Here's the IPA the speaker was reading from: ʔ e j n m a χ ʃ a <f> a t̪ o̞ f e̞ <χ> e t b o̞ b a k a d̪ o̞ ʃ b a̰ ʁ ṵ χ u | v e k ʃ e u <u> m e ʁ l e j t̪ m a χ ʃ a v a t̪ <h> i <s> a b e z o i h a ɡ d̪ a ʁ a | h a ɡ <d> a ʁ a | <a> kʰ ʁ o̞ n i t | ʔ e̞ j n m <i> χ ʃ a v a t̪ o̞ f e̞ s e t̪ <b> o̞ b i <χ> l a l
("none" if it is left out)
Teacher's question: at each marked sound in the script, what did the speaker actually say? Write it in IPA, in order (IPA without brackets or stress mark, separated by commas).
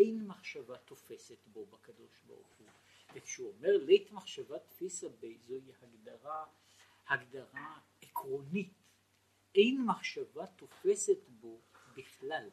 v, s, o, f, s, d, e, a, b, χ